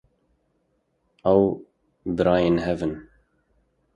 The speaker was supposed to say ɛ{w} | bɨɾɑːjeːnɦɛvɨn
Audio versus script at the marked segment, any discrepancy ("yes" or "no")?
no